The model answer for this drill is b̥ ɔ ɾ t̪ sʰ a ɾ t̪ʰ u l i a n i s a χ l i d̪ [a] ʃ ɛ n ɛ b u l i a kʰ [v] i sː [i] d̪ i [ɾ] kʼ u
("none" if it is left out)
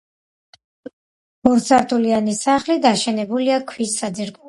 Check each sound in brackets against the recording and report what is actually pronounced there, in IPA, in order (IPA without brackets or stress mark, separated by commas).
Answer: a, w, a, ɾ